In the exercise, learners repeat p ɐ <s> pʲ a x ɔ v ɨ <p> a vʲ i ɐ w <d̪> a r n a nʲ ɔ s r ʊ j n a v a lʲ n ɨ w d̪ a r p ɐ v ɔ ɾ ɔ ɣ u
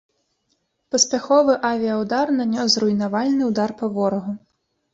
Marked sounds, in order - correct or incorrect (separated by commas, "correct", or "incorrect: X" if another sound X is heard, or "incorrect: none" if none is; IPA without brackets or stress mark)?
correct, incorrect: ʔ, correct